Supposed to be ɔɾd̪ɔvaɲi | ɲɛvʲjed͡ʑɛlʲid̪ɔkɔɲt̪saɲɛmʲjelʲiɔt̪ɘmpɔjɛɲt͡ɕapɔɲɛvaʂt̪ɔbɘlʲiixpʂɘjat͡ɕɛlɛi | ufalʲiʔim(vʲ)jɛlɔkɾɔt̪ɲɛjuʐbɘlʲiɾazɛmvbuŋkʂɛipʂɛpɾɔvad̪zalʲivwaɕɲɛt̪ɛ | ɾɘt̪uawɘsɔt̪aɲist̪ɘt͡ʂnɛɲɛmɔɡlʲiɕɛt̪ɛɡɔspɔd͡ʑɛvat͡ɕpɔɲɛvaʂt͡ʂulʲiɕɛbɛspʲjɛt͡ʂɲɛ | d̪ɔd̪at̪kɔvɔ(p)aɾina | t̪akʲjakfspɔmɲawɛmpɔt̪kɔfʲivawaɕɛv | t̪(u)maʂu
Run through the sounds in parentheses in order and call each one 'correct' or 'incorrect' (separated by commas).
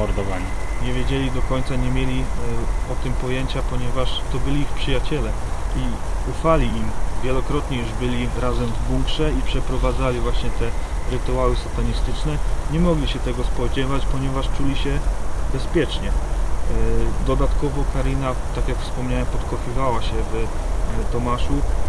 correct, incorrect, incorrect